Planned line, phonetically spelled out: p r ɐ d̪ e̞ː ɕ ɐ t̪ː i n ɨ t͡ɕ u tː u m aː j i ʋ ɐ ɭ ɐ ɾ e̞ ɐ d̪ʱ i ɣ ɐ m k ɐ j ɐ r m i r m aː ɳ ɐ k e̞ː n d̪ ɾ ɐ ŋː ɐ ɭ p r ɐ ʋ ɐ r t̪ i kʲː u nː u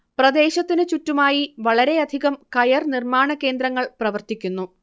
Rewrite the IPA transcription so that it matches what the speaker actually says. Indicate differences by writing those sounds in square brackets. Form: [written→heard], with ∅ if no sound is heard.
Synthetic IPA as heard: p r ɐ d̪ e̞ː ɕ ɐ t̪ː i n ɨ t͡ɕ u tː u m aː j i ʋ ɐ ɭ ɐ ɾ e̞ ɐ d̪ʱ i ɣ ɐ m k ɐ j ɐ r [m→n] i r m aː ɳ ɐ k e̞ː n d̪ ɾ ɐ ŋː ɐ ɭ p r ɐ ʋ ɐ r t̪ i kʲː u nː u